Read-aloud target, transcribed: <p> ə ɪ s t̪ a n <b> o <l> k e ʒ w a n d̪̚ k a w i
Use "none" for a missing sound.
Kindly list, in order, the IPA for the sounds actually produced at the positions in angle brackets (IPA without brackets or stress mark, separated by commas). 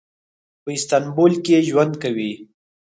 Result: p, b, l